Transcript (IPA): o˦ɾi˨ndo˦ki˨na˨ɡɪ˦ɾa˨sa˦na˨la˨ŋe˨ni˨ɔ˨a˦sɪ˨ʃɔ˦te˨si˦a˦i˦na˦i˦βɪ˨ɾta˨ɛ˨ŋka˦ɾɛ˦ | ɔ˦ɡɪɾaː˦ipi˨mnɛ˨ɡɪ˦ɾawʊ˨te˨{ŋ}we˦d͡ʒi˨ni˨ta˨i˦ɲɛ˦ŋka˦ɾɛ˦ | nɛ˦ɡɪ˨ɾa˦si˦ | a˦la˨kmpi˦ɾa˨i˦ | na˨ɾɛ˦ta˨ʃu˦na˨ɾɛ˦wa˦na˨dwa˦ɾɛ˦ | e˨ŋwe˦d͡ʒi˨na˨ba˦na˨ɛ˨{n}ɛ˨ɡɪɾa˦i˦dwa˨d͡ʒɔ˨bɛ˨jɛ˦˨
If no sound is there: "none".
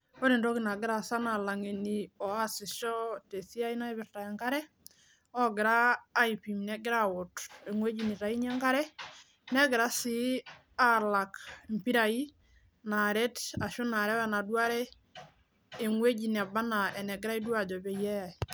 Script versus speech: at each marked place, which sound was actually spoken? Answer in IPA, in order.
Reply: ŋ, n

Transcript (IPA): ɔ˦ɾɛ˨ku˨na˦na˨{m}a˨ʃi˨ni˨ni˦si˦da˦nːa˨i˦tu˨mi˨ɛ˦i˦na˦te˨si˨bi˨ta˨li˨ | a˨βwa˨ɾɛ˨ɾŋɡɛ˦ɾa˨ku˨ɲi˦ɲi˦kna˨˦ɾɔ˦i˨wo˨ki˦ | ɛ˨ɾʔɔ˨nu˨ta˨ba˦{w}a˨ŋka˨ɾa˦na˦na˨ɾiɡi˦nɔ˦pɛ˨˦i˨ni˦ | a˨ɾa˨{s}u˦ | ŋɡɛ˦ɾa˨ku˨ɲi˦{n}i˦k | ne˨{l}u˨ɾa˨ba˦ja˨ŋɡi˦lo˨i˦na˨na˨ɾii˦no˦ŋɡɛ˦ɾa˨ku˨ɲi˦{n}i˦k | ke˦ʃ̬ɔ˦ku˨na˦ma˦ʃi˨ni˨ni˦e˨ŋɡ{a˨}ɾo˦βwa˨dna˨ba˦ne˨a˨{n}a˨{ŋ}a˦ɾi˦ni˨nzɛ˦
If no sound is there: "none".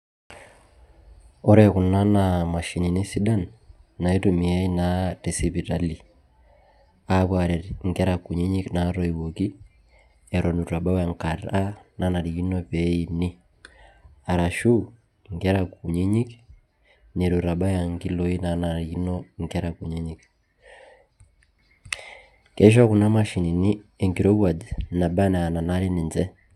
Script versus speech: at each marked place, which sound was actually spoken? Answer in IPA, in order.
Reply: m, w, ʃ, ɲ, ɾ, ɲ, i˨, n, n

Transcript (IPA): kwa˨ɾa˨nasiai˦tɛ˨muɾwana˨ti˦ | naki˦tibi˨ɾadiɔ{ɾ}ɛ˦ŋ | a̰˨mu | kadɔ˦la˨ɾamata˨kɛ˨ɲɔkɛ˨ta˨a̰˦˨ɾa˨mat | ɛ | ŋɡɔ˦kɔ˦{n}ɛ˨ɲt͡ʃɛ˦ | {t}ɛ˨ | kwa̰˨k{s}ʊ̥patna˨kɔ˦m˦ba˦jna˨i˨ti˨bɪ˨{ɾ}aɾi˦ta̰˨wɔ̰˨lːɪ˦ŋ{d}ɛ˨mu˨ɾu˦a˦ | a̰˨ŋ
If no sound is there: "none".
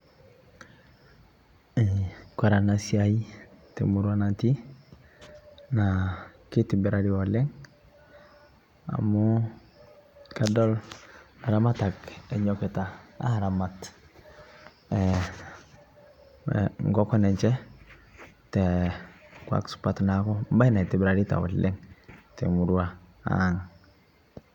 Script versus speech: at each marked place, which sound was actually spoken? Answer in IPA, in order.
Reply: l, n, t, s, ɾ, t

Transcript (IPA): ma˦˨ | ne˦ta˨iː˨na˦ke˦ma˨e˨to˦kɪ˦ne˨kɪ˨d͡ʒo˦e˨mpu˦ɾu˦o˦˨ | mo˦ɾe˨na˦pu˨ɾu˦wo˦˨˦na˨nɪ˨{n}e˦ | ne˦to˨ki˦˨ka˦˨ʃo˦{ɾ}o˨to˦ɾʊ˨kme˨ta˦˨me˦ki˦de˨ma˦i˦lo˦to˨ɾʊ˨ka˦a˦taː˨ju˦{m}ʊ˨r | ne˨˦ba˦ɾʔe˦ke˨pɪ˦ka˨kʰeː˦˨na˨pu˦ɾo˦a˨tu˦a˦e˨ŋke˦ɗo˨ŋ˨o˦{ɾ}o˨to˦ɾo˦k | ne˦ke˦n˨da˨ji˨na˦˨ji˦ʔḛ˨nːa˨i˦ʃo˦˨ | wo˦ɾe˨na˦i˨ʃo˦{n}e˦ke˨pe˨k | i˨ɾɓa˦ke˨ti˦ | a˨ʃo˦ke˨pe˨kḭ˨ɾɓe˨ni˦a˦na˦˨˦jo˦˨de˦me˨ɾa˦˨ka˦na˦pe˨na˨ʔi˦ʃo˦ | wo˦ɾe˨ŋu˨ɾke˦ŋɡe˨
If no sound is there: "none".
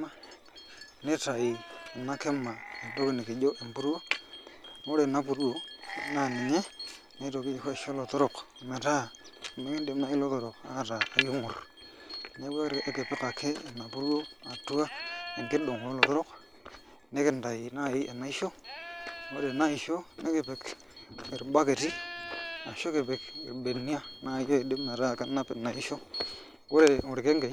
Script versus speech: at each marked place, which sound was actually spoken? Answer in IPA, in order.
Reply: ɲ, l, ŋ, l, n

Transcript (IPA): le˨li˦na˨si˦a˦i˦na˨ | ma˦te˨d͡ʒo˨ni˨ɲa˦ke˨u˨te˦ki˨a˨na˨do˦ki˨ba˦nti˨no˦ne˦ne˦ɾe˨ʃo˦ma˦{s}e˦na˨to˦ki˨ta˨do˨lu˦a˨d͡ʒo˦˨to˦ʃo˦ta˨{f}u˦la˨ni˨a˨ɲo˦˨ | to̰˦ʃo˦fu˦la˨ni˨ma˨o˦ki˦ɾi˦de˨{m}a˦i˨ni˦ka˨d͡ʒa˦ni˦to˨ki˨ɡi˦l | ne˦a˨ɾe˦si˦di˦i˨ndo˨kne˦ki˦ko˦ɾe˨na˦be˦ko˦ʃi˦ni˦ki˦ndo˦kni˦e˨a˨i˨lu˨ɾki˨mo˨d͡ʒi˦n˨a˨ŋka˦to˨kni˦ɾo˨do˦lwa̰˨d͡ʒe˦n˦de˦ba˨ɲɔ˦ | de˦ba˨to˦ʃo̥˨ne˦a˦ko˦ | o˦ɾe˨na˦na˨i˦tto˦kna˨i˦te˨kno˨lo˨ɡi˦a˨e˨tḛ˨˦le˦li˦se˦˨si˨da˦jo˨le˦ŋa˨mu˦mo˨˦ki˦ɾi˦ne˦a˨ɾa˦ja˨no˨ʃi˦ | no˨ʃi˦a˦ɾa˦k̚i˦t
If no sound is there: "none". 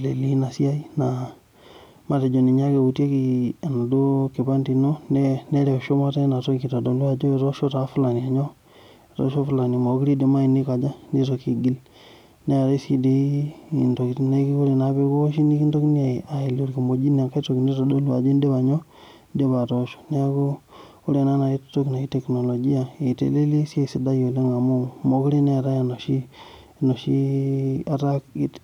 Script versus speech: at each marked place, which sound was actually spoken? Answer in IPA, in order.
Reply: t, f, m

